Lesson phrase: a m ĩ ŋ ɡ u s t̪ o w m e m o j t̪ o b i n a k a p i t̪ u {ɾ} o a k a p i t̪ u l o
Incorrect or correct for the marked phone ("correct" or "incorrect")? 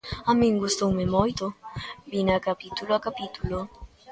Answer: incorrect